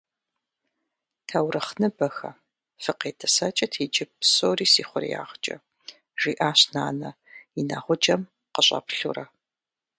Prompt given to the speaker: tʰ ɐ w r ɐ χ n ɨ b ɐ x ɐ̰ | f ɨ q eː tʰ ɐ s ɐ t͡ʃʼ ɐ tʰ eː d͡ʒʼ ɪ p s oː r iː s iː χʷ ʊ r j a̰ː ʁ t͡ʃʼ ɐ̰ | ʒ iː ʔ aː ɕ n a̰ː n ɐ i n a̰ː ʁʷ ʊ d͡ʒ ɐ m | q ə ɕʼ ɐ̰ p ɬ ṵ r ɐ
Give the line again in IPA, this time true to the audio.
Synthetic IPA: tʰ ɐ w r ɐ χ n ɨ b ɐ x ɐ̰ | f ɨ q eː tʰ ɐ s ɐ t͡ʃʼ ɐ tʰ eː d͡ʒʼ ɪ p s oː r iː s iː χʷ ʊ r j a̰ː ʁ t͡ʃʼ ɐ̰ | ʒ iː ʔ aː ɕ n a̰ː n ɐ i n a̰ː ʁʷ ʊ d͡ʒ ɐ m | q ə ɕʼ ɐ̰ p ɬ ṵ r ɐ